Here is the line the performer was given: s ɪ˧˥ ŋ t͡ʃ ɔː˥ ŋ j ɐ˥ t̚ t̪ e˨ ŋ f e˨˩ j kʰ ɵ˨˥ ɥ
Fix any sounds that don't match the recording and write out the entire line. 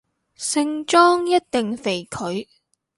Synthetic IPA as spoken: s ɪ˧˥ ŋ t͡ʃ ɔː˥ ŋ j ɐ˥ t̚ t̪ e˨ ŋ f e˨˩ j kʰ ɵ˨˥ ɥ